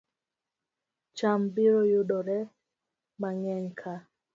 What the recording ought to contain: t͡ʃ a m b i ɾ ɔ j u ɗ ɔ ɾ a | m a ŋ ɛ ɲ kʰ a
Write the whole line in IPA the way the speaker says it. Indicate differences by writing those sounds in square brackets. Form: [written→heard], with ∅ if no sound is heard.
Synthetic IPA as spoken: t͡ʃ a m b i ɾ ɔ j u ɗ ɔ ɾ [a→ɛ] | m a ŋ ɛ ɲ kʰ a

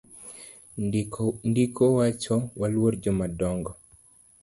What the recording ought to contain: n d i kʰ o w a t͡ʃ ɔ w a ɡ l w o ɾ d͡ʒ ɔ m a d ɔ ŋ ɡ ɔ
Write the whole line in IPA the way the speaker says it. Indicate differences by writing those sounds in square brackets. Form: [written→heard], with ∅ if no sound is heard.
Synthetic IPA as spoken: n d i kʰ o w a t͡ʃ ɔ w a [ɡ→∅] l w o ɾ d͡ʒ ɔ m a d ɔ ŋ ɡ ɔ

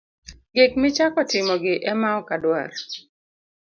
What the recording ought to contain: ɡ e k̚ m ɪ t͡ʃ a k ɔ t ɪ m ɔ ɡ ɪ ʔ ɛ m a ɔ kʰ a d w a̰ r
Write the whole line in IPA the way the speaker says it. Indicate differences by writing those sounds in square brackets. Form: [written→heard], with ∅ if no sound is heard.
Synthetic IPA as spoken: ɡ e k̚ m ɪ t͡ʃ a k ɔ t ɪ m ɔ ɡ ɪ ʔ ɛ m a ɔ [kʰ→k] a d w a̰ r

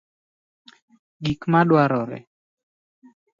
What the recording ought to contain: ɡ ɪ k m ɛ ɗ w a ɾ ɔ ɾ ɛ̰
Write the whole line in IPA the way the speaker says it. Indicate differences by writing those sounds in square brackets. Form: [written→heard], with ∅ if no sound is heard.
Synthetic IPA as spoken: ɡ [ɪ→i] k m [ɛ→a] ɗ w a ɾ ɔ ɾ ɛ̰

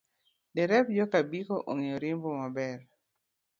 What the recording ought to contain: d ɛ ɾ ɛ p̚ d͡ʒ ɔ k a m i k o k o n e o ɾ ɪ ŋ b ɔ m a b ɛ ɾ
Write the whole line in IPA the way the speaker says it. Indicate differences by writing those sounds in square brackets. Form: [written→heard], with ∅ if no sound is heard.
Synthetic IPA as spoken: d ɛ ɾ ɛ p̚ d͡ʒ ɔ k a [m→b] i k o [k→ʔ] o [n→ŋ] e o ɾ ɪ [ŋ→m] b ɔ m a b ɛ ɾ

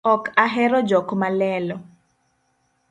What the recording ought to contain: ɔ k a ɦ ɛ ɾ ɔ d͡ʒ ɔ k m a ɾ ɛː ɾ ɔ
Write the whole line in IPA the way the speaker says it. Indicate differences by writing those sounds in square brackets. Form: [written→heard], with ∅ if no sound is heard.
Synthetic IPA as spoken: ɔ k a ɦ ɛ ɾ ɔ d͡ʒ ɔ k m a [ɾ→l] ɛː [ɾ→l] ɔ

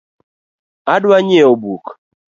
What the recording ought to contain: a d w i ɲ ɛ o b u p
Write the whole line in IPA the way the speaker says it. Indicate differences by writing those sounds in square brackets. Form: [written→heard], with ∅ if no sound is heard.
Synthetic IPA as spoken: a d w [i→a] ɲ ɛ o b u [p→k]

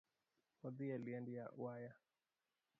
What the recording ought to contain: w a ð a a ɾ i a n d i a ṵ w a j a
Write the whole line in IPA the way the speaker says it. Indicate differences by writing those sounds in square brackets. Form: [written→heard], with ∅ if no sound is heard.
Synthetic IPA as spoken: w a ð [a→i] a [ɾ→l] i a n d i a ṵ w a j a

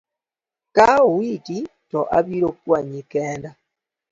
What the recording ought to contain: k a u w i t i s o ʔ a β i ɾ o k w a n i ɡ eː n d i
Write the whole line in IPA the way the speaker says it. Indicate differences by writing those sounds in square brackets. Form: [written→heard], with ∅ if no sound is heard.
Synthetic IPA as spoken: k a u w i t i [s→t] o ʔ a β i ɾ o k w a [n→ɲ] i [ɡ→k] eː n d [i→a]

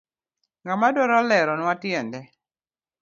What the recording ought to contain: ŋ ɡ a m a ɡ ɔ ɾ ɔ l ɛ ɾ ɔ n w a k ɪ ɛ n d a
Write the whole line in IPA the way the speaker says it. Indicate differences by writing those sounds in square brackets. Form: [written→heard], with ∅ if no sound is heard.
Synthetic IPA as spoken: ŋ ɡ a m a [ɡ→d] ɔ ɾ ɔ l ɛ ɾ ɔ n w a [k→t] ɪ ɛ n d [a→ɛ]

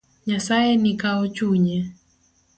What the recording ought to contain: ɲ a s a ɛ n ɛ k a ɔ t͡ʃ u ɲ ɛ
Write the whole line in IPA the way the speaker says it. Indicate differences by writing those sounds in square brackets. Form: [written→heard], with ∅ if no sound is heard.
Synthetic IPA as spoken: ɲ a s a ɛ n [ɛ→i] k a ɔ t͡ʃ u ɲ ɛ

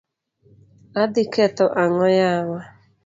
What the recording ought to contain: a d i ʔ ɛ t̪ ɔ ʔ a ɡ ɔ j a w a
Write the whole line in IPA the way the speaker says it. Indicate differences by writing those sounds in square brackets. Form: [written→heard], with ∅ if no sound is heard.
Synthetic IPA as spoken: a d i [ʔ→k] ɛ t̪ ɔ ʔ a [ɡ→ŋ] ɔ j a w a

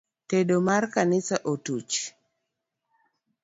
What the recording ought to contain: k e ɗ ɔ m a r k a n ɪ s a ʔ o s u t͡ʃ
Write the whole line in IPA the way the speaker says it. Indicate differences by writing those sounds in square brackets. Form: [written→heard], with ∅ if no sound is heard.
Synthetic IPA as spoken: [k→t] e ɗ [ɔ→o] m a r k a n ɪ s a ʔ o [s→t] u t͡ʃ

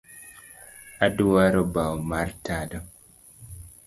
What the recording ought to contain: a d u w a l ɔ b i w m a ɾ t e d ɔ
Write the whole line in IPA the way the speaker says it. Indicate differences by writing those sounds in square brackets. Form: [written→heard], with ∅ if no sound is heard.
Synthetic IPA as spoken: a d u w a [l→ɾ] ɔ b [i→a] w m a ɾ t [e→a] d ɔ

